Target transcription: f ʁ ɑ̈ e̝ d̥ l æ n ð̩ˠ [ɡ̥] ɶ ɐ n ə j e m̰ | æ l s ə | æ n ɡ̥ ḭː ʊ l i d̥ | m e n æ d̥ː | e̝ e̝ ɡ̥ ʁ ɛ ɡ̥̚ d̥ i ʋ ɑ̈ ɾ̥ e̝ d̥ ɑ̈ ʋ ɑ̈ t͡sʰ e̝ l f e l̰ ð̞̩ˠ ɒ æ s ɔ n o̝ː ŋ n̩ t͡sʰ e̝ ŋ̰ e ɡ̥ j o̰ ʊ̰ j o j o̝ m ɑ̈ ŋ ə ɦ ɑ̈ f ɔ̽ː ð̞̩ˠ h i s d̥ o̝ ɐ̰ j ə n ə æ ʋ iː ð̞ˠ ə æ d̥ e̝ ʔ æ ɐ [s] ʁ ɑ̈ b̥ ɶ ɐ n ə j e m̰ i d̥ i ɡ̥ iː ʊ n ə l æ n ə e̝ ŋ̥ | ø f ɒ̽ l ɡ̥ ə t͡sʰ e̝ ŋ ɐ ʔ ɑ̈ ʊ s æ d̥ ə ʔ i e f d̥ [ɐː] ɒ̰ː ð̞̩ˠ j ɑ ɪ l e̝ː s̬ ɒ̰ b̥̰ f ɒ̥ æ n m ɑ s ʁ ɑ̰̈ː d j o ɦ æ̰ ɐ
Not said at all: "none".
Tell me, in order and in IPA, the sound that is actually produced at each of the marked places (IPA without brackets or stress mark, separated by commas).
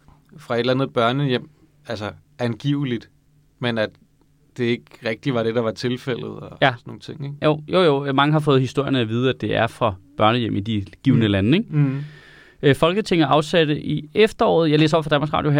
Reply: b̥, f, ɐ